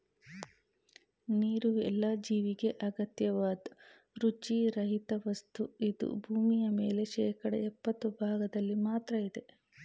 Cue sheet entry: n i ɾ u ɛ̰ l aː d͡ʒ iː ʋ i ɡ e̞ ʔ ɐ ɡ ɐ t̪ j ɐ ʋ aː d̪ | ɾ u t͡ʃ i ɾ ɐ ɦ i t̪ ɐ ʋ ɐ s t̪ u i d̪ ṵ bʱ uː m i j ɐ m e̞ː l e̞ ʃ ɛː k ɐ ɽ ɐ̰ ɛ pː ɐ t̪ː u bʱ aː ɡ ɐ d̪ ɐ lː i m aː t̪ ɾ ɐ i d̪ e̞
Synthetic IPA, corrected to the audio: n iː ɾ u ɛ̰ lː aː d͡ʒ iː ʋ i ɡ e̞ ʔ ɐ ɡ ɐ t̪ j ɐ ʋ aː d̪ | ɾ u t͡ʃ i ɾ ɐ ɦ i t̪ ɐ ʋ ɐ s t̪ u i d̪ ṵ bʱ uː m i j ɐ m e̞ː l e̞ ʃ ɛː k ɐ ɽ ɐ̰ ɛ pː ɐ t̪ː u bʱ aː ɡ ɐ d̪ ɐ lː i m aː t̪ ɾ ɐ i d̪ e̞